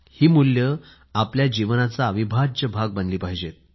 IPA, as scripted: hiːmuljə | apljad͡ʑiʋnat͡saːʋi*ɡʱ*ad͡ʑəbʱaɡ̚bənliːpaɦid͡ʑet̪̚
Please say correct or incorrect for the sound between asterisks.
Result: incorrect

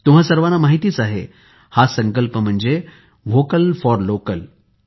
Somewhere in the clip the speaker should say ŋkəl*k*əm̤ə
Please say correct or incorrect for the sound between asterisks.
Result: incorrect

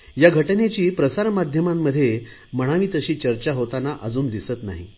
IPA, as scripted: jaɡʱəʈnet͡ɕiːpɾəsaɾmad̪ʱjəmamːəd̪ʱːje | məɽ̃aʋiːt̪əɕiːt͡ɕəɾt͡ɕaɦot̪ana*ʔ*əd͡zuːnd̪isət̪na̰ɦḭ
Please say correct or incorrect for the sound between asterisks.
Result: correct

